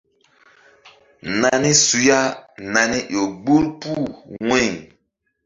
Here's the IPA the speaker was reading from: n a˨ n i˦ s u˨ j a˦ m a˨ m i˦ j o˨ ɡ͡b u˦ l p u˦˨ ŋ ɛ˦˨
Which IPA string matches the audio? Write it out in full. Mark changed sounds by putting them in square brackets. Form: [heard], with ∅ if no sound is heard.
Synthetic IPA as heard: n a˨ n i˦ s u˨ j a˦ [n] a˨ [n] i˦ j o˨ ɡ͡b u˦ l p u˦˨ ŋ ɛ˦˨